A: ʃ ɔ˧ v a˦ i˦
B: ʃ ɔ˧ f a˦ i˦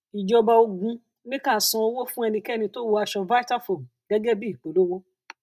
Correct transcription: A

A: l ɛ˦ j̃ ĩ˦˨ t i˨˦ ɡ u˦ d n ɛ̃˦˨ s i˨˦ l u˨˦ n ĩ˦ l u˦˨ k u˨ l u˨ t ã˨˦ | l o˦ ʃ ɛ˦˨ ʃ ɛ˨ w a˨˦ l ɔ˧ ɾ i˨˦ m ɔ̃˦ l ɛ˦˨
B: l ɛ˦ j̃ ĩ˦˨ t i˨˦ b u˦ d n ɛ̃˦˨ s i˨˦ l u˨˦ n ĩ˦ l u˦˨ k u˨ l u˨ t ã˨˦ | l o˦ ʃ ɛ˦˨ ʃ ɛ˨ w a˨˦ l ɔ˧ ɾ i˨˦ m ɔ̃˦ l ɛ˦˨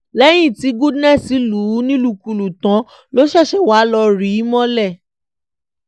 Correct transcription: A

